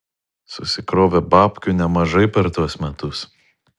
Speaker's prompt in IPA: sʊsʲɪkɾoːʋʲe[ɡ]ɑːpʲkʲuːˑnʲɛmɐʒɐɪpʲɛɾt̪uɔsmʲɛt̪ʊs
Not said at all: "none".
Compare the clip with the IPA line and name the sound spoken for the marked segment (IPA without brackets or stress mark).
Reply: b